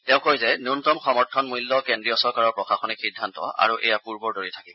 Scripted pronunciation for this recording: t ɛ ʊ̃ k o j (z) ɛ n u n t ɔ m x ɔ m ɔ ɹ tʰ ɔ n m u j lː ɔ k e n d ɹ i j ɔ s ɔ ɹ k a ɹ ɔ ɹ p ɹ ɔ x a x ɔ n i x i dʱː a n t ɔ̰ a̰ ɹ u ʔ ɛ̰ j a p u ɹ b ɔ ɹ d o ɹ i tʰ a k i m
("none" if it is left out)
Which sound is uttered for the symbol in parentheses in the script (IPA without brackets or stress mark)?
z